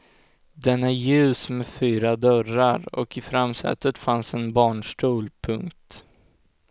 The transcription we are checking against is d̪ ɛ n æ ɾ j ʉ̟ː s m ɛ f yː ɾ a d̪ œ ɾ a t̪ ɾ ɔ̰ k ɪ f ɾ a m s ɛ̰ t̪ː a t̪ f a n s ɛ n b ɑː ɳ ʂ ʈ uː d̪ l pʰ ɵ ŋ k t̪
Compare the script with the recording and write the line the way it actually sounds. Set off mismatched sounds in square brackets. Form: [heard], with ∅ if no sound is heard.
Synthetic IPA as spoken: d̪ ɛ n æ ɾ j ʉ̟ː s m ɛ f yː ɾ a d̪ œ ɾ a [∅] ɾ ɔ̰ k ɪ f ɾ a m s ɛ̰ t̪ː [ə] t̪ f a n s ɛ n b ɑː ɳ ʂ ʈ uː [∅] l pʰ ɵ ŋ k t̪